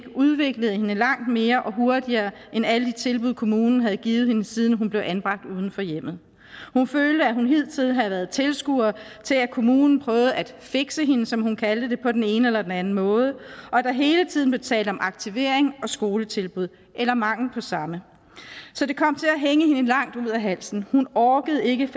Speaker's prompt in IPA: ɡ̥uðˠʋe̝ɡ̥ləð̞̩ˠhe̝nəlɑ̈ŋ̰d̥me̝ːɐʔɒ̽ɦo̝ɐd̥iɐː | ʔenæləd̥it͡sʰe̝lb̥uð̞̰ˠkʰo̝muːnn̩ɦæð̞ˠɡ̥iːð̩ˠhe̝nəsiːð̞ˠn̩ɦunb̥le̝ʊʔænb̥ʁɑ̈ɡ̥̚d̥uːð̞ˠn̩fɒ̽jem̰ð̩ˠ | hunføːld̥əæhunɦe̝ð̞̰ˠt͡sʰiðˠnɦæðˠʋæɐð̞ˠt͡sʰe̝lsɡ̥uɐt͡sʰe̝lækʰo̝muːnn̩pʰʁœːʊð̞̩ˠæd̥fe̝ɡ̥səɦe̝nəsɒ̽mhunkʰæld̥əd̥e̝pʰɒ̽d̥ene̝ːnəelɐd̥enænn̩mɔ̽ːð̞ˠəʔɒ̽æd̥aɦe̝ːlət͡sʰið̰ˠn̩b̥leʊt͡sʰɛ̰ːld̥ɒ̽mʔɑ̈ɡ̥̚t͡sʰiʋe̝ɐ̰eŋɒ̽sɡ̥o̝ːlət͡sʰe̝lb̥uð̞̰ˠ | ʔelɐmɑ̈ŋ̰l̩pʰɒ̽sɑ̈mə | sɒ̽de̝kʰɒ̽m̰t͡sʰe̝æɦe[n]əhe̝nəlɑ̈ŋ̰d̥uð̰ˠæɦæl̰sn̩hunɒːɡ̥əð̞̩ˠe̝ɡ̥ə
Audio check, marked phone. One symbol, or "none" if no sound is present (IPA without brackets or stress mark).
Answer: ŋ